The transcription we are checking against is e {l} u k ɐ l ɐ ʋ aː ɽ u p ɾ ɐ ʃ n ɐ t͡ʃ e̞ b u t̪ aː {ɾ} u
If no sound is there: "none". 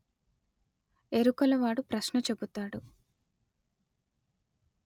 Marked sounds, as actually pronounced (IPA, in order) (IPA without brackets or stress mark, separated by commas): ɾ, ɽ